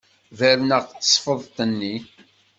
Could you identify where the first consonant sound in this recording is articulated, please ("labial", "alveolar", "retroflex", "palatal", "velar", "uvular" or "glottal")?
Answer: labial